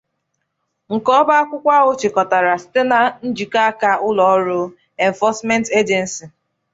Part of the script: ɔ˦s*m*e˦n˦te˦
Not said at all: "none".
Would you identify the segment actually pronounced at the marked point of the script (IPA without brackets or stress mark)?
m